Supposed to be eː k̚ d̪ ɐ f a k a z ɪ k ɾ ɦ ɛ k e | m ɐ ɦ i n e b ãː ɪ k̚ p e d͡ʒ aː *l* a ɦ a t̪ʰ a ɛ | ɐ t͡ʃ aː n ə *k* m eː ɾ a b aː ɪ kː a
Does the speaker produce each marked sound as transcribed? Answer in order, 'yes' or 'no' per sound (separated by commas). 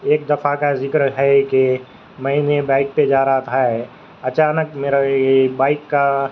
no, yes